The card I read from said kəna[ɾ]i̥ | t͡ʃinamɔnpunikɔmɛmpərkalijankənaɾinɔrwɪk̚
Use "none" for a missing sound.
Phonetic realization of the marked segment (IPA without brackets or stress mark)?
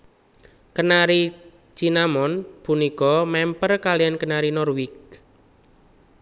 ɾ